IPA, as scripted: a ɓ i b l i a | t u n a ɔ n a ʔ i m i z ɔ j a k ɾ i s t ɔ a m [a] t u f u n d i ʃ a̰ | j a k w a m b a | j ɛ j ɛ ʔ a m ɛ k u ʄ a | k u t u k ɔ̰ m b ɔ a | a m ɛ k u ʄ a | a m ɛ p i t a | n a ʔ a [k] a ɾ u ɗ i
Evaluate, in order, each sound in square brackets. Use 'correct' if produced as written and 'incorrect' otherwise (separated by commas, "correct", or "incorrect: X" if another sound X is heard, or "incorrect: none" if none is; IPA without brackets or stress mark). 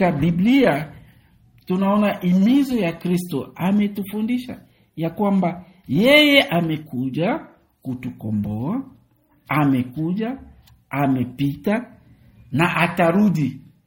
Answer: incorrect: ɛ, incorrect: t